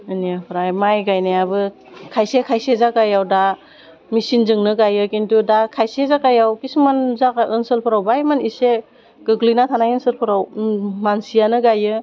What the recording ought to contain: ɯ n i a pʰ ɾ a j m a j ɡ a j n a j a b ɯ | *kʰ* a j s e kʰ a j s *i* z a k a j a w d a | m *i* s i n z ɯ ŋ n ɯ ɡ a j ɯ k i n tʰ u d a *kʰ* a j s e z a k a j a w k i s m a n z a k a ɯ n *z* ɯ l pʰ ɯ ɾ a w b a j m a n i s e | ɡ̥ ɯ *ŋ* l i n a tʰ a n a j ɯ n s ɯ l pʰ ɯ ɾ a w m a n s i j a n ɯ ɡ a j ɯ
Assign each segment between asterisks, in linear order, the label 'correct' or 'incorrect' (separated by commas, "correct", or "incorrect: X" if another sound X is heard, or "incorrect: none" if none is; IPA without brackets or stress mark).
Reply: correct, incorrect: e, correct, correct, incorrect: s, incorrect: ɡ